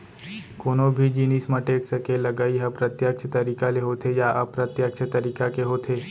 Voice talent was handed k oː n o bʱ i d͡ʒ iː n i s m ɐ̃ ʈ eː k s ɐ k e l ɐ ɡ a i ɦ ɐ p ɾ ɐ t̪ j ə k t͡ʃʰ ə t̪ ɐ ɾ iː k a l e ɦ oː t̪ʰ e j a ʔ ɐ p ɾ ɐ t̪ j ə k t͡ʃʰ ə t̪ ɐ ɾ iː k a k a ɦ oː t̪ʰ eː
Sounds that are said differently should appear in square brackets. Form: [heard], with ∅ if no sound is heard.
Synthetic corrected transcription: k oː n o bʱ i d͡ʒ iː n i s m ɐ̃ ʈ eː k s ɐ k e l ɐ ɡ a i ɦ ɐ p ɾ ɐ t̪ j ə k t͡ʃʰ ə t̪ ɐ ɾ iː k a l e ɦ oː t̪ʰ e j a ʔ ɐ p ɾ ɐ t̪ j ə k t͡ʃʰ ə t̪ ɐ ɾ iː k a k [e] ɦ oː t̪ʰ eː